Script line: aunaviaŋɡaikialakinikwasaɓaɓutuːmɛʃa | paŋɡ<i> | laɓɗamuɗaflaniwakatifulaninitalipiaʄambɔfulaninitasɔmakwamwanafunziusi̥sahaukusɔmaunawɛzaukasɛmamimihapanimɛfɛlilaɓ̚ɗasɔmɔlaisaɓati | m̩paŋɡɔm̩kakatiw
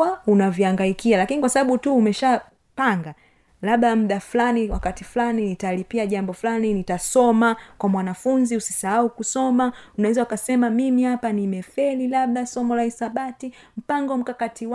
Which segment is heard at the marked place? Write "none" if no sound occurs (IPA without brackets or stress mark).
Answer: a